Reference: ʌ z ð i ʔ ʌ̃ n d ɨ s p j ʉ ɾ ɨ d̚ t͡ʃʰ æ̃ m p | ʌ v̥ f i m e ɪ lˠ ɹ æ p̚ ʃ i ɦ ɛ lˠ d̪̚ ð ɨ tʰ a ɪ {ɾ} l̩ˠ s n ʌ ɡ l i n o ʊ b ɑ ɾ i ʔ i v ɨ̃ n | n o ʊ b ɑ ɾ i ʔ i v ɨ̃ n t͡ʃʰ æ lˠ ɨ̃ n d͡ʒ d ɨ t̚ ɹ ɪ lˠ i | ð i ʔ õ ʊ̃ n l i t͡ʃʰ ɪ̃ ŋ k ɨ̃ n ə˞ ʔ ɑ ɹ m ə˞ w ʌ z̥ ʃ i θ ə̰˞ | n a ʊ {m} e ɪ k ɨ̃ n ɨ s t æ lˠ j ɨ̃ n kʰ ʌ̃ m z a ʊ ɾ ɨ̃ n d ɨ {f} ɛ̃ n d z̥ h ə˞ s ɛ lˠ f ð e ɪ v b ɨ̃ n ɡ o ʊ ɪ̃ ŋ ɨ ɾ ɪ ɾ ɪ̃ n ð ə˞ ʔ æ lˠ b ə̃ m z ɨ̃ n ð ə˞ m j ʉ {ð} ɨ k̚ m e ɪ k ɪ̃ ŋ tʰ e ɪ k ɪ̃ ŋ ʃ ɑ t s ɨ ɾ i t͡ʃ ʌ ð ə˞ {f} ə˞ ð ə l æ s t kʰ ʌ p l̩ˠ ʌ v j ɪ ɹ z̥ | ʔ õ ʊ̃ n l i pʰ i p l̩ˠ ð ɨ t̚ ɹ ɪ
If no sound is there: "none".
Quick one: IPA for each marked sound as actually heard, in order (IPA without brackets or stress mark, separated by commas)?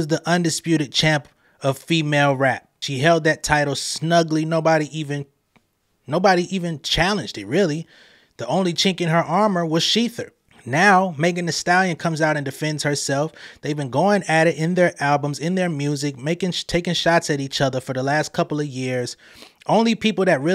ɾ, m, f, z, f